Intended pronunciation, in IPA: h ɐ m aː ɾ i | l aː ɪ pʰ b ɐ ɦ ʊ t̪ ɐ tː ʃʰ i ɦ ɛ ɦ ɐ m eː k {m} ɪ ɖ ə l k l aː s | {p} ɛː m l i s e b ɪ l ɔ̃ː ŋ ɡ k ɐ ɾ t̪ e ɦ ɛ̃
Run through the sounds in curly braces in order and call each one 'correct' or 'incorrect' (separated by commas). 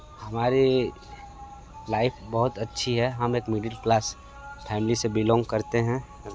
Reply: correct, incorrect